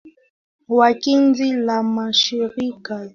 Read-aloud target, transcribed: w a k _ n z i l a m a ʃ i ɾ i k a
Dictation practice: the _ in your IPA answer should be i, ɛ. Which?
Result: i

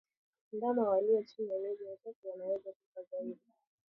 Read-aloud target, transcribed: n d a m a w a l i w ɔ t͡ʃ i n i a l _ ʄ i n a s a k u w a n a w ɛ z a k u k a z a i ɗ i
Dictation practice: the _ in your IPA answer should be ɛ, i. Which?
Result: ɛ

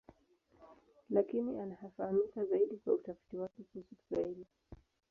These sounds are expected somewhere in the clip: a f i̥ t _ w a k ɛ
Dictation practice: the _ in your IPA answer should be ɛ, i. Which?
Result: i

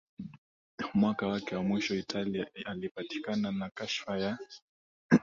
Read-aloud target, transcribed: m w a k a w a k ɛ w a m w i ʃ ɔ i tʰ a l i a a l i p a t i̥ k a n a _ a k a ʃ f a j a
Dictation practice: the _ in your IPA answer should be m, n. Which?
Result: n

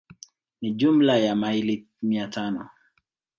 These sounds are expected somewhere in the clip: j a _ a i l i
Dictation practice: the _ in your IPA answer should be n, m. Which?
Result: m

